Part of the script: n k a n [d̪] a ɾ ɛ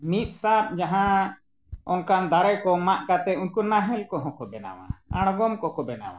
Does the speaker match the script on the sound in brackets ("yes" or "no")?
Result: yes